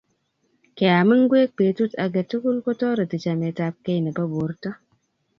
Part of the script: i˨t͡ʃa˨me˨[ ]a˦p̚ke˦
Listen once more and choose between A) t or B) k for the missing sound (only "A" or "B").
A